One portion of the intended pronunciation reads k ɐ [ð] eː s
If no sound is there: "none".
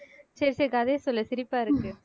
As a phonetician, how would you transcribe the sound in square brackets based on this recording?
ð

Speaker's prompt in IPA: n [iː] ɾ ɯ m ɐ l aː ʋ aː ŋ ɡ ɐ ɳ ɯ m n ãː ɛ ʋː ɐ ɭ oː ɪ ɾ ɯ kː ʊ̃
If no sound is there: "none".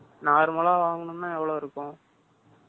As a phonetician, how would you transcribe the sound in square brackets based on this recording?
aː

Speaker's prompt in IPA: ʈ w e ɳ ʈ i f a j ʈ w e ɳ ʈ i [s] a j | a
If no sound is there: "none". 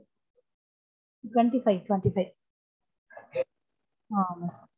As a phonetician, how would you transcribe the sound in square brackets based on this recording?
f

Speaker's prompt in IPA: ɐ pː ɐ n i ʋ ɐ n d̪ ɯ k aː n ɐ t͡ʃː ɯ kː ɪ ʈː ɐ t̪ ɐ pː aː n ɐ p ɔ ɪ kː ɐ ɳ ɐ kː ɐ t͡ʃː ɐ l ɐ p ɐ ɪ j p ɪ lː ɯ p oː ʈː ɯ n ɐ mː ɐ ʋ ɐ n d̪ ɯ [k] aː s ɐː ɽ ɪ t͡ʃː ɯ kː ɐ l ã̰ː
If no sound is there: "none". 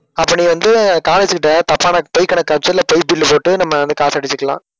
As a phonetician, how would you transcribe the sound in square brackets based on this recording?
k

